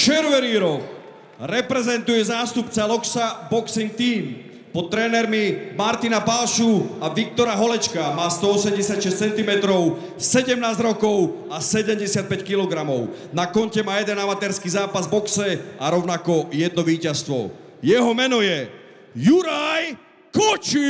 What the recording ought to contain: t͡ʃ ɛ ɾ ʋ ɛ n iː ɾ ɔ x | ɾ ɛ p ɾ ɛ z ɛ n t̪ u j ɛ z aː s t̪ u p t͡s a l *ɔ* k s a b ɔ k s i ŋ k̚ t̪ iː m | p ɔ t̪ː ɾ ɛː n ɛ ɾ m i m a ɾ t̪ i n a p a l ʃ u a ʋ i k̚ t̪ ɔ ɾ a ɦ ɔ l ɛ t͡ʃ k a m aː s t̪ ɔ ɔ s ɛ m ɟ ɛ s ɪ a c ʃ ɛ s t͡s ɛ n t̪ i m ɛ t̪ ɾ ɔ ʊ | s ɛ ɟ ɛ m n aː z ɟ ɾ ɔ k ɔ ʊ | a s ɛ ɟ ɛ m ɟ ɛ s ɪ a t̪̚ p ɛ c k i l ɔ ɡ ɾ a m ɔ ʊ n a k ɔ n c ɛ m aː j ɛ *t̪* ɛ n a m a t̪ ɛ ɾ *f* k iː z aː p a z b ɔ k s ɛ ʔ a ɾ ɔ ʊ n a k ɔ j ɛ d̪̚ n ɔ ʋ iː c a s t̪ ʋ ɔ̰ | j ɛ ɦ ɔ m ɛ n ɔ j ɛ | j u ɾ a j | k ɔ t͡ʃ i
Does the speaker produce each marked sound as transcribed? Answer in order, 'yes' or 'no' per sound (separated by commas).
yes, no, no